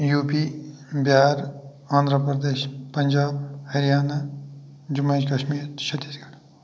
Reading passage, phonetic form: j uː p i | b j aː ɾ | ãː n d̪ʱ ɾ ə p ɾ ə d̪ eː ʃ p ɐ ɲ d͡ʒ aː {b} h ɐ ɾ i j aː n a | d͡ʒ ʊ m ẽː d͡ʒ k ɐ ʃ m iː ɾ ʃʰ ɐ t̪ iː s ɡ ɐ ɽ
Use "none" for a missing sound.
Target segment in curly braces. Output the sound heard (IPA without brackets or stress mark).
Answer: b